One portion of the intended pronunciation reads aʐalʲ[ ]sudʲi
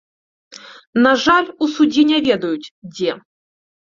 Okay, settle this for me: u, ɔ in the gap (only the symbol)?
u